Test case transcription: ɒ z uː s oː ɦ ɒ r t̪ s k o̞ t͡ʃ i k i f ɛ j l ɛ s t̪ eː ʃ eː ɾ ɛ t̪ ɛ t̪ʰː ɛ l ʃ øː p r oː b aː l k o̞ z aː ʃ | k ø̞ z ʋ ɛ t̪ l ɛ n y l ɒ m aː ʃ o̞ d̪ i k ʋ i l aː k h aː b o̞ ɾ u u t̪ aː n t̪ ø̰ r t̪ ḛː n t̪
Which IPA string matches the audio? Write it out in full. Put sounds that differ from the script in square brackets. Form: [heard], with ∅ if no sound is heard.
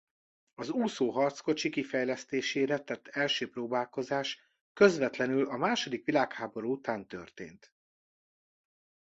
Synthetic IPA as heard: ɒ z uː s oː ɦ ɒ r t̪ s k o̞ t͡ʃ i k i f ɛ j l ɛ s t̪ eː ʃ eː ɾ ɛ t̪ ɛ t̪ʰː ɛ l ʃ øː p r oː b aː l k o̞ z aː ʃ | k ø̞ z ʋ ɛ t̪ l ɛ n y l ɒ m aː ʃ o̞ d̪ i k ʋ i l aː k h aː b o̞ ɾ u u t̪ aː n t̪ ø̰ r t̪ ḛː n t̪